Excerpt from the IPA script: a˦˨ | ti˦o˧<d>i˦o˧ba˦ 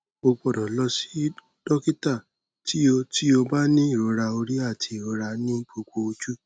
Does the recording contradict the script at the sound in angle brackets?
yes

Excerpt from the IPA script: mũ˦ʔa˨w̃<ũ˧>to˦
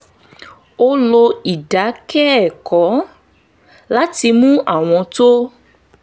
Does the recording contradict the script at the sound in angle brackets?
yes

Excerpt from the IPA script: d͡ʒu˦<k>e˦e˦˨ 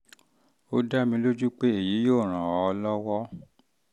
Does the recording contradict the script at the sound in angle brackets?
yes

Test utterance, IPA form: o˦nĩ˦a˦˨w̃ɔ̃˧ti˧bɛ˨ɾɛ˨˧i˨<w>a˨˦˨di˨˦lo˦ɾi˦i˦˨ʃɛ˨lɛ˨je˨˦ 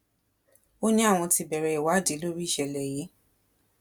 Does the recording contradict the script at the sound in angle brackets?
no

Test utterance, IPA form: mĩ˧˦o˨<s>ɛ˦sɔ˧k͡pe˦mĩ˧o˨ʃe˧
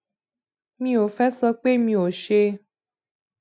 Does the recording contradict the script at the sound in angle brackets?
yes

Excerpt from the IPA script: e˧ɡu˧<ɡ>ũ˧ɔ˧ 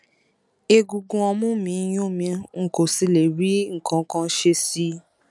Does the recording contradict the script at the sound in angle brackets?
no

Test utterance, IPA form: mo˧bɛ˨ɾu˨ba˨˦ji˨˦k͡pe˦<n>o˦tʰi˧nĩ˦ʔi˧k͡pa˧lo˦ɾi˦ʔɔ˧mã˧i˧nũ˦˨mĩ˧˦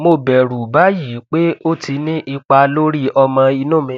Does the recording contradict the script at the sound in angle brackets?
yes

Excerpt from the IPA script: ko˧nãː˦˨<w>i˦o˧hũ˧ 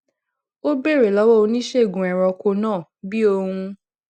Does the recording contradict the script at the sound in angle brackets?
yes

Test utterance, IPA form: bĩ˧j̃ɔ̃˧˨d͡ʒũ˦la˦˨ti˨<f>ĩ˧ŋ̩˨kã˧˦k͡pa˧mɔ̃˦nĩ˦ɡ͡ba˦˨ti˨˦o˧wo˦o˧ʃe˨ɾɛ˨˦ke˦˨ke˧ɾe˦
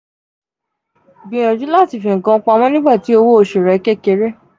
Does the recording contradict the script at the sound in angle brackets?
no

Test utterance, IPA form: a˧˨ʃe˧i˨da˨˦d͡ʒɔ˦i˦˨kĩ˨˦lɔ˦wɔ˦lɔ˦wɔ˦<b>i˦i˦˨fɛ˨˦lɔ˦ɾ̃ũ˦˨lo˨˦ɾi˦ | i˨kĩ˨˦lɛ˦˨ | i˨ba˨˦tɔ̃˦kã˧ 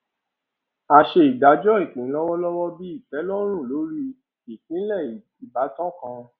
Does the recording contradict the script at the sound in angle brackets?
no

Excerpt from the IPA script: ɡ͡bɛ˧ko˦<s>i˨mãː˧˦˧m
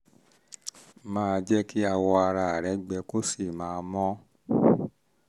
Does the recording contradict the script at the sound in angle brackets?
no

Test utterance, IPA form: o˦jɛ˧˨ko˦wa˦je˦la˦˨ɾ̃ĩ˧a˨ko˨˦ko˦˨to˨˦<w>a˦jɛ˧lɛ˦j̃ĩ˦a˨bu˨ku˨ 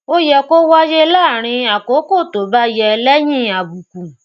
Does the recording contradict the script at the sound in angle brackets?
yes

